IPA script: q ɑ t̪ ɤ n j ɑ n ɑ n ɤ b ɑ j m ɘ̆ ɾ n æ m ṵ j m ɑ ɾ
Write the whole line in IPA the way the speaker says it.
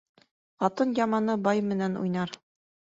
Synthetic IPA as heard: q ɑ t̪ ɤ n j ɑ m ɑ n ɤ b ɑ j m ɘ̆ n æ n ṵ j n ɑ ɾ

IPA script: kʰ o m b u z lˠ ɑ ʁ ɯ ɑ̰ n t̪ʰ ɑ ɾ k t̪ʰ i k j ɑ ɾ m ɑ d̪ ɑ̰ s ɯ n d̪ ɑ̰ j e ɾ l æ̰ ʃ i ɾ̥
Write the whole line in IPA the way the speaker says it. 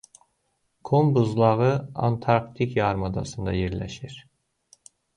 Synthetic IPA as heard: kʰ o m b u z lˠ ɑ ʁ ɯ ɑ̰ n t̪ʰ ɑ ɾ k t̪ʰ i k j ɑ ɾ m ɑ d̪ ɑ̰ s ɯ n d̪ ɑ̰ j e ɾ l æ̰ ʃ i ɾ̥

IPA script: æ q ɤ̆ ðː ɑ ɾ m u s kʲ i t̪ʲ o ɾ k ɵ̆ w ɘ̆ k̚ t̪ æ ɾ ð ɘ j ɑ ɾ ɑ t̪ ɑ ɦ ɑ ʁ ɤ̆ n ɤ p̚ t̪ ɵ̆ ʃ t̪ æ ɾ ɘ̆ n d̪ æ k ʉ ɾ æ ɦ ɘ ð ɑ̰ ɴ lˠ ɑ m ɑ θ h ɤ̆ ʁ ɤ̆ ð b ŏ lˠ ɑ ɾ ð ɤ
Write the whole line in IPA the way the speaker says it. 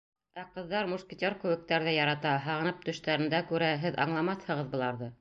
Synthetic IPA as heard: æ q ɤ̆ ðː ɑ ɾ m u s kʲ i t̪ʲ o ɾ k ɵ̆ w ɘ̆ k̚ t̪ æ ɾ ð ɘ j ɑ ɾ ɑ t̪ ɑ ɦ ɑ ʁ ɤ̆ n ɤ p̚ t̪ ɵ̆ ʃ t̪ æ ɾ ɘ̆ n d̪ æ k ʉ ɾ æ ɦ ɘ ð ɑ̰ ɴ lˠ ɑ m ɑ θ h ɤ̆ ʁ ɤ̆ ð b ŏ lˠ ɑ ɾ ð ɤ

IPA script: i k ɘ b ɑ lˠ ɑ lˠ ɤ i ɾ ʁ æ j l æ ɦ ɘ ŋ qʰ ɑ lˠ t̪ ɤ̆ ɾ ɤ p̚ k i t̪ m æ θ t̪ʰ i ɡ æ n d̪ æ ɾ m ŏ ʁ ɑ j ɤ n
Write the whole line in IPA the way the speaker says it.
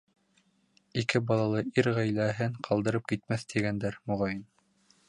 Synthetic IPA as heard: i k ɘ b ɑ lˠ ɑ lˠ ɤ i ɾ ʁ æ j l æ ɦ ɘ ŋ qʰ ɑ lˠ d̪ ɤ̆ ɾ ɤ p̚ k i t̪ m æ θ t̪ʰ i ɡ æ n d̪ æ ɾ m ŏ ʁ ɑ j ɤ n

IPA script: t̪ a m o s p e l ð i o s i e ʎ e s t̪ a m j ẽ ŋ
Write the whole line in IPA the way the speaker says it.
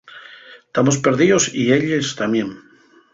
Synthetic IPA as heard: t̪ a m o s p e ɾ ð i o s i e ʎ e s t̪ a m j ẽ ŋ

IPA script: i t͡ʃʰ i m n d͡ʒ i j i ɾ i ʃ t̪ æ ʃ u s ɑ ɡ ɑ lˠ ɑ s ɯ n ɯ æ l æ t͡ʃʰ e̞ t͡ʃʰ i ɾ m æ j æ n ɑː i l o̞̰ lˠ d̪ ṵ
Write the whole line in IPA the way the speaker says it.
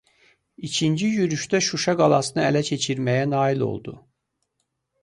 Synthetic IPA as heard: i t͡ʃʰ i n d͡ʒ i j y ɾ y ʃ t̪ æ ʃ u ʃ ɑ ɡ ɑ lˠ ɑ s ɯ n ɯ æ l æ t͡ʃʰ e̞ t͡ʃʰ i ɾ m æ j æ n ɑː i l o̞̰ lˠ d̪ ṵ

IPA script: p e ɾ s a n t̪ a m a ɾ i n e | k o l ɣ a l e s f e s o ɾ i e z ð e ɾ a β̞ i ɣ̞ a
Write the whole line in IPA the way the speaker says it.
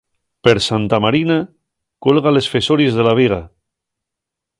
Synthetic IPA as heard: p e ɾ s a n t̪ a m a ɾ i n a | k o l ɣ a l e s f e s o ɾ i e z ð e l a β̞ i ɣ̞ a

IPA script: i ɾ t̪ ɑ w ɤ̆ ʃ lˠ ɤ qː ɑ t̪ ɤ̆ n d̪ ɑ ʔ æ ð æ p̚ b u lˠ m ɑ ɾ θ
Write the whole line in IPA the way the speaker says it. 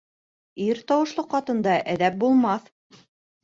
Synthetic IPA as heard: i ɾ t̪ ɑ w ɤ̆ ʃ lˠ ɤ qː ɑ t̪ ɤ̆ n d̪ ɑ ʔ æ ð æ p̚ b u lˠ m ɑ θ

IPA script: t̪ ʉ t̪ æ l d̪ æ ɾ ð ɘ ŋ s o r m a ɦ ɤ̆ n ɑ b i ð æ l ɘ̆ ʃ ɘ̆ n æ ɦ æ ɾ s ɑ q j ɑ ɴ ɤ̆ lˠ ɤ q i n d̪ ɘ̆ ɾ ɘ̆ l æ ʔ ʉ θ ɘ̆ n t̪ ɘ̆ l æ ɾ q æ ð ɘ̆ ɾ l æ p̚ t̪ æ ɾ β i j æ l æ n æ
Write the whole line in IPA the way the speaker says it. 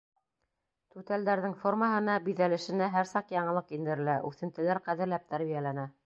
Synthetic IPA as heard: t̪ ʉ t̪ æ l d̪ æ ɾ ð ɘ ŋ f o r m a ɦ ɤ̆ n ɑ b i ð æ l ɘ̆ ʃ ɘ̆ n æ ɦ æ ɾ s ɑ q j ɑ ɴ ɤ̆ lˠ ɤ q i n d̪ ɘ̆ ɾ ɘ̆ l æ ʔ ʉ θ ɘ̆ n t̪ ɘ̆ l æ ɾ q æ ð ɘ̆ ɾ l æ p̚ t̪ æ ɾ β i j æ l æ n æ

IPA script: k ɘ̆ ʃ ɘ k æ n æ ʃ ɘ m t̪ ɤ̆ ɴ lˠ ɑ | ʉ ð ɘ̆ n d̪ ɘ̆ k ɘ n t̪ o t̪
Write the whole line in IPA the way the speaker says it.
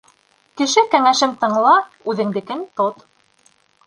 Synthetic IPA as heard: k ɘ̆ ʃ ɘ k æ ŋ æ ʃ ɘ m t̪ ɤ̆ ɴ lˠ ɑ | ʉ ð ɘ̆ ŋ d̪ ɘ̆ k ɘ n t̪ o t̪

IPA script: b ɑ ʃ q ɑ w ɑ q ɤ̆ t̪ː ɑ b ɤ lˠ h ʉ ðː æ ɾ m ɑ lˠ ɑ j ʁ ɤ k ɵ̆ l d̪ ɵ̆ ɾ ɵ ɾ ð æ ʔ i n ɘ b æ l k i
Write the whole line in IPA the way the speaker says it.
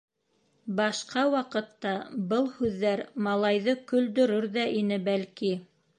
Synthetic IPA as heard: b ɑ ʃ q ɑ w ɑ q ɤ̆ t̪ː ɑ b ɤ lˠ h ʉ ðː æ ɾ m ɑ lˠ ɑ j ð ɤ k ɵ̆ l d̪ ɵ̆ ɾ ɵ ɾ ð æ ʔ i n ɘ b æ l k i

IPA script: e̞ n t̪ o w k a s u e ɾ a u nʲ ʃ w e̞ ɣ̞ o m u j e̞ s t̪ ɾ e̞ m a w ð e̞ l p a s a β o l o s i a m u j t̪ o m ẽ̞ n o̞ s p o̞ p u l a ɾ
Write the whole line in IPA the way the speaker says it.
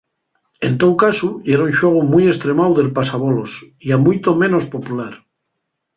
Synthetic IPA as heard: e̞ n t̪ o w k a s u e ɾ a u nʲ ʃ w e̞ ɣ̞ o m u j e̞ s t̪ ɾ e̞ m a w ð e̞ l p a s a β o l o s i a m u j t̪ o m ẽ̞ n o̞ s p o̞ p u l a ɾ

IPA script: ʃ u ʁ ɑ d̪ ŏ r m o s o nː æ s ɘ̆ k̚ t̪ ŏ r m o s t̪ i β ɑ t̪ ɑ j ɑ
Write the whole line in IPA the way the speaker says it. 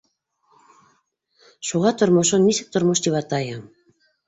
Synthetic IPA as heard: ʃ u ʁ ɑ t̪ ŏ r m o ʃ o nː i s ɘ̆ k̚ t̪ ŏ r m o ʃ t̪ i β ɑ t̪ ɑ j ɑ

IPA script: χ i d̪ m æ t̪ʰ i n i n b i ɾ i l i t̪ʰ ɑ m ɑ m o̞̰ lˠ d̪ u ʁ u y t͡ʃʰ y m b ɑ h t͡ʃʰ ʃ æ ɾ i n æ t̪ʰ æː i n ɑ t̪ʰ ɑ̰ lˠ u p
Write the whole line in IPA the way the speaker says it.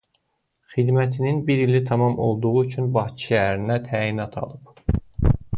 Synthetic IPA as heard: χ i d̪ m æ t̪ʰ i n i n b i ɾ i l i t̪ʰ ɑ m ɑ m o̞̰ lˠ d̪ u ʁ u y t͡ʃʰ y n b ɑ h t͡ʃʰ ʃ æ ɾ i n æ t̪ʰ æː i n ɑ t̪ʰ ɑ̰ lˠ ɯ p

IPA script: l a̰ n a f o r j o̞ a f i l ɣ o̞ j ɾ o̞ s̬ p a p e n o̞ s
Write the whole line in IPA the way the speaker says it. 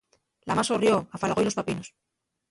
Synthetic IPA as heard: l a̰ m a s o r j o̞ a f a l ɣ o̞ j l o̞ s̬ p a p i n o̞ s

